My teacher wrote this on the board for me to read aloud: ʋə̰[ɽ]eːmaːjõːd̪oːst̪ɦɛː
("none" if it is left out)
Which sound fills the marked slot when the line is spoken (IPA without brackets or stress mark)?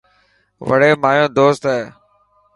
ɽ